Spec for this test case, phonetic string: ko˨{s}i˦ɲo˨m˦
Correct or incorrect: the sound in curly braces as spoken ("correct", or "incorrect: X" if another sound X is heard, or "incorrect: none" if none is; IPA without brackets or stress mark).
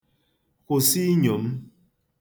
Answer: correct